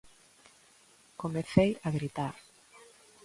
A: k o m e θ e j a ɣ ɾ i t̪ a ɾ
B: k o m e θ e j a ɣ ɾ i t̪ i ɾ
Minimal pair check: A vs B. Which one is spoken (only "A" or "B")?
A